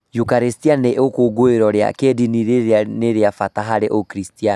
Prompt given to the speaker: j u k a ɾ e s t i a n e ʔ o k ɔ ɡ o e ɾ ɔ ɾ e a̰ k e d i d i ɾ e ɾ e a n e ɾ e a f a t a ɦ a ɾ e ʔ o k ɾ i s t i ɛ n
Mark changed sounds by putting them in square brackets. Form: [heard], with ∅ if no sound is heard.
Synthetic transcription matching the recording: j u k a ɾ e s t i a n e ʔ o k [o] ɡ o e ɾ ɔ ɾ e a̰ k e d i [n] i ɾ e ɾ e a n e ɾ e a f a t a ɦ a ɾ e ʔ o k ɾ i s t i [a] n

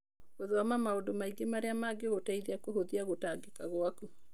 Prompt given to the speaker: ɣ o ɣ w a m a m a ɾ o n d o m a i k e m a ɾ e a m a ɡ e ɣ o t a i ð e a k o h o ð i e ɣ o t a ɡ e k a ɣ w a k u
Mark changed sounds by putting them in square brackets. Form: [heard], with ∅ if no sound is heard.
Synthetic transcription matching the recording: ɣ o [ð] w a m a m a [∅] o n d o m a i [ɡ] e m a ɾ e a m a ɡ e ɣ o t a i ð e a k o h o ð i [a] ɣ o t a ɡ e k a ɣ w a k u

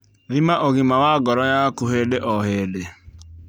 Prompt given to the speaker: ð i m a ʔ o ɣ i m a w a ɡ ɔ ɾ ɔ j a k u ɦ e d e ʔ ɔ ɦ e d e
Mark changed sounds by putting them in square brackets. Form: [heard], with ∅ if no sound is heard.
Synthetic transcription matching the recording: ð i m a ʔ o ɣ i m a w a ɡ ɔ ɾ ɔ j a k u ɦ e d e ʔ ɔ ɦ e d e

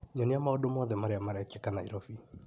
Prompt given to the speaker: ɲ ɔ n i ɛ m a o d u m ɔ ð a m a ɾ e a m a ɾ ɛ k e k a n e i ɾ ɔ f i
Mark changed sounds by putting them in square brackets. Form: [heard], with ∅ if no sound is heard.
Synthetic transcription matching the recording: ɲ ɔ n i [a] m a o d [o] m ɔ ð [ɛ] m a ɾ e a m a ɾ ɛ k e k a n [a] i ɾ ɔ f i

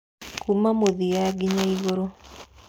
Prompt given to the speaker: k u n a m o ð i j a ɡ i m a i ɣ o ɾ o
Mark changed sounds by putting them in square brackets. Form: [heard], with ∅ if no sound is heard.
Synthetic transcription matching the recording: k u [m] a m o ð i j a ɡ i [ɲ] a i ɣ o ɾ o

